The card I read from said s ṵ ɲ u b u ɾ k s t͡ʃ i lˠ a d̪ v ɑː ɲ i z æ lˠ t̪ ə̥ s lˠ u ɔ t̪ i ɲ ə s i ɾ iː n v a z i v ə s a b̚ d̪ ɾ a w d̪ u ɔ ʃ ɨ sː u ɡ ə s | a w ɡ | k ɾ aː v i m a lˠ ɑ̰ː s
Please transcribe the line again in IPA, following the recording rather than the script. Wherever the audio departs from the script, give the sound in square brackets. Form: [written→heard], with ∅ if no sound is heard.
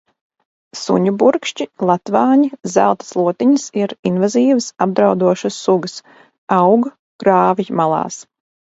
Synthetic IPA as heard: s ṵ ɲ u b u ɾ k [s→ʃ] t͡ʃ i lˠ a [d̪→t̪] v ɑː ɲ i z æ lˠ t̪ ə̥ s lˠ u ɔ t̪ i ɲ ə s i ɾ [iː→i] n v a z [i→iː] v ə s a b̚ d̪ ɾ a w d̪ u ɔ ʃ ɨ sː u ɡ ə s | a w ɡ | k ɾ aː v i m a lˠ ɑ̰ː s